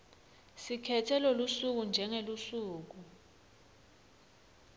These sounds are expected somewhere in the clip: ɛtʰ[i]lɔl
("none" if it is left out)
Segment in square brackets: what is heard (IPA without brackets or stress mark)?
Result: ɛ